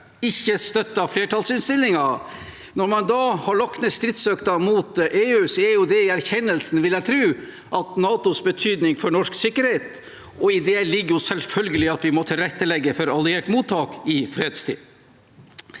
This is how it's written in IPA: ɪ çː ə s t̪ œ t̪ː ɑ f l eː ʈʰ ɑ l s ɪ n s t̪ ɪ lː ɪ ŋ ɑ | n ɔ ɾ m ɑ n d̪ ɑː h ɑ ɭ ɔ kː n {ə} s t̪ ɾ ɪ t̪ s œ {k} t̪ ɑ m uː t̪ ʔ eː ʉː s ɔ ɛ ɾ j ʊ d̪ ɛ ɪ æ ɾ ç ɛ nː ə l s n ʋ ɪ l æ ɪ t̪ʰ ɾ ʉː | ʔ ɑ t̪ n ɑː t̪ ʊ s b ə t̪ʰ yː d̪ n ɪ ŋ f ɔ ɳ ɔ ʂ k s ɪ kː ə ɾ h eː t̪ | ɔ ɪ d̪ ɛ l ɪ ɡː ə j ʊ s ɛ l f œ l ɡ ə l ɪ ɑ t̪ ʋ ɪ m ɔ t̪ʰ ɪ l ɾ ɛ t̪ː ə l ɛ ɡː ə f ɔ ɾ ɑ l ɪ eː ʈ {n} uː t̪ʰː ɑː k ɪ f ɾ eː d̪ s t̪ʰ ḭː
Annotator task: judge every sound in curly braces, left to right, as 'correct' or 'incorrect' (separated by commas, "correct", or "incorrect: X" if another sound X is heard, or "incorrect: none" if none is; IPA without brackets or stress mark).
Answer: correct, correct, incorrect: m